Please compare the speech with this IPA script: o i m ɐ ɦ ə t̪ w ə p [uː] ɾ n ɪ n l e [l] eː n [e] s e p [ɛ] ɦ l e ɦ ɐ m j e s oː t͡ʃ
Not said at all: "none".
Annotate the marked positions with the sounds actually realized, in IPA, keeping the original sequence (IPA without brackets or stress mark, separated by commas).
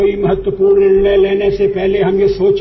uː, l, e, ɛ